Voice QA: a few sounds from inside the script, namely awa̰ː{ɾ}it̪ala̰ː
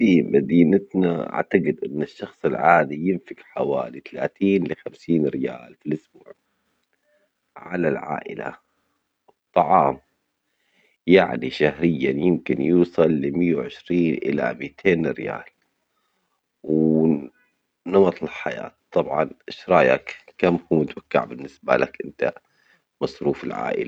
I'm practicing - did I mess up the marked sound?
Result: yes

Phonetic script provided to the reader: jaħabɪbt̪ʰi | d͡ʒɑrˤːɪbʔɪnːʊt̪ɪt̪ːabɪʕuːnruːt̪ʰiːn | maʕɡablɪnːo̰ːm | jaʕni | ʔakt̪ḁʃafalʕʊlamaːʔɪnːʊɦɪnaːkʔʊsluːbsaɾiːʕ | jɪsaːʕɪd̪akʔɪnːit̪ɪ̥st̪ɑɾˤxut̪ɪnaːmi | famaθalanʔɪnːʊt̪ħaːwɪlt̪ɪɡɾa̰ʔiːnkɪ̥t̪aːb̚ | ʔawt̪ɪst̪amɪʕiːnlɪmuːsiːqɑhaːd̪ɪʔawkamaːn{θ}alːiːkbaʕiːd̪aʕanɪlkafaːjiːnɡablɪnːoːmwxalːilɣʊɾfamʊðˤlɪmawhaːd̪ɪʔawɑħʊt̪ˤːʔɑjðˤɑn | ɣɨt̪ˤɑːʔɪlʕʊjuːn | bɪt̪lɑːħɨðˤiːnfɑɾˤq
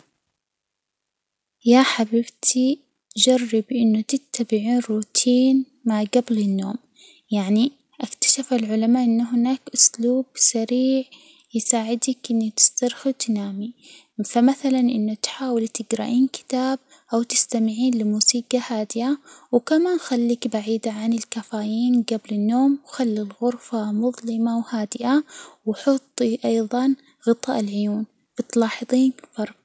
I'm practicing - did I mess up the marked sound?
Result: yes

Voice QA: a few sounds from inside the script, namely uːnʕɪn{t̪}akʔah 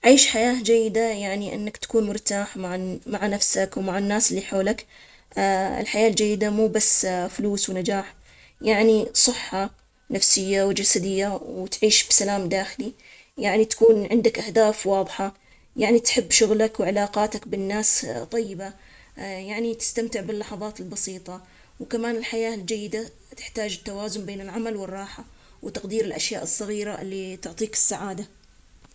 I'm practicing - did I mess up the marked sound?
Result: yes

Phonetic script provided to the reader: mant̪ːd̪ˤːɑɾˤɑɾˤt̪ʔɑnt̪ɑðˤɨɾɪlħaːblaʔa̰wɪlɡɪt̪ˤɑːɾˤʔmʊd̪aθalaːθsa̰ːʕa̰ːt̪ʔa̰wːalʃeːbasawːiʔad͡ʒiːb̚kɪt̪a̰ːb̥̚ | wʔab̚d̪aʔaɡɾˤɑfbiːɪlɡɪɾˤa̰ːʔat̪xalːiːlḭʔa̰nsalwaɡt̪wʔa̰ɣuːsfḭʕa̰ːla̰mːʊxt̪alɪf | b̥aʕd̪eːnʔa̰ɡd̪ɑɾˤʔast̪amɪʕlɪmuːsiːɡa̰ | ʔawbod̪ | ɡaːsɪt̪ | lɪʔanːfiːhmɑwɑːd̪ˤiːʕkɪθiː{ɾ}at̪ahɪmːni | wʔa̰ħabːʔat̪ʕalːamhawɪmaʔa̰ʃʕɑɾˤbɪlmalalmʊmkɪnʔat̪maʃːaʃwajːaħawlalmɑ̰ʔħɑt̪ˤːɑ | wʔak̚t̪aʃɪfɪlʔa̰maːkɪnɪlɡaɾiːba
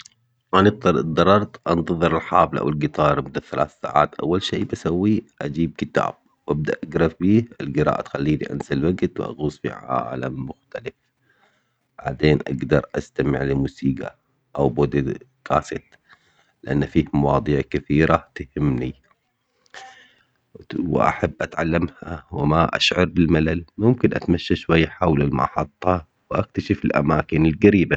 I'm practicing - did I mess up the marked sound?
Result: no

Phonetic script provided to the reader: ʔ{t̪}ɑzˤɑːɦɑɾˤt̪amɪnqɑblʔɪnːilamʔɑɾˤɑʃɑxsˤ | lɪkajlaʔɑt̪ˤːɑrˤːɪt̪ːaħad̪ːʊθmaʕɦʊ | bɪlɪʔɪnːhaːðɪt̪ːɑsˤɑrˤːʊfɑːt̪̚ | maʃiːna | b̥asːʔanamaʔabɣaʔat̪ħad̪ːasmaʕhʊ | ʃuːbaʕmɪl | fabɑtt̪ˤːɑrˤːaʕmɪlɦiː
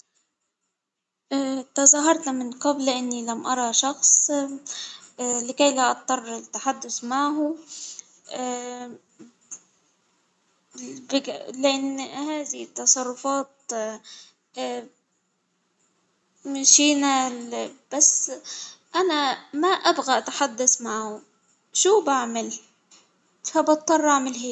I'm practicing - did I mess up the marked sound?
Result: no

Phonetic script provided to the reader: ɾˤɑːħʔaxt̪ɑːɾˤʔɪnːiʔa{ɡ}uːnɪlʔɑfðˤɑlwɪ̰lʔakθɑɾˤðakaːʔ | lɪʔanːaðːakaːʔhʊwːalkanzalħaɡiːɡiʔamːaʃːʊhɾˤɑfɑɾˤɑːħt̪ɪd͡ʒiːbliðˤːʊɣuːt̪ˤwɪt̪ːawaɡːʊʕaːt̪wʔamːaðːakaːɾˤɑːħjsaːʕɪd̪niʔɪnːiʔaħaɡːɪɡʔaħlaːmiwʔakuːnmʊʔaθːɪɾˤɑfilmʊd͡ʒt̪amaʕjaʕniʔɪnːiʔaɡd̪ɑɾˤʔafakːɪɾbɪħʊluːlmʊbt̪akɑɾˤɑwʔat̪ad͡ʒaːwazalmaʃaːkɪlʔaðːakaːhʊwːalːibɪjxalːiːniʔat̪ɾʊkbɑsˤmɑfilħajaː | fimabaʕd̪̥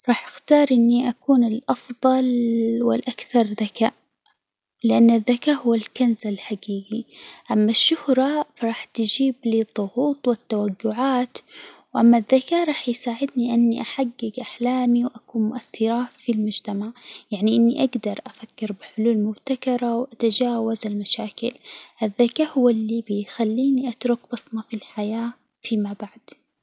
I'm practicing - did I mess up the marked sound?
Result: yes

